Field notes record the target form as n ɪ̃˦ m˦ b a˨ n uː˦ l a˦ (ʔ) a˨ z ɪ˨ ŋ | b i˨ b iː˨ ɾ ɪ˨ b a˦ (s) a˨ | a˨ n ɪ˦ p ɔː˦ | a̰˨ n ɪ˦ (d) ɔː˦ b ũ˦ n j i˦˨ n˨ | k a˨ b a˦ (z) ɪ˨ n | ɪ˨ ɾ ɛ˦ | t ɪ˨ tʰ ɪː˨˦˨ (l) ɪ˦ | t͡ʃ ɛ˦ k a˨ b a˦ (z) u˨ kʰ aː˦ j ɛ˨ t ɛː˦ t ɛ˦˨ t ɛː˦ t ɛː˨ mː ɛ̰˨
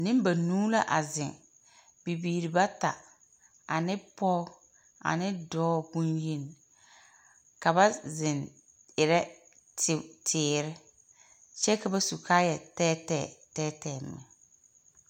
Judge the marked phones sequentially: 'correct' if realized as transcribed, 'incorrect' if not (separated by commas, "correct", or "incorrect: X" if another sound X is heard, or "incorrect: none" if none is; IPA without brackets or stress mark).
correct, incorrect: t, correct, correct, incorrect: ɾ, incorrect: s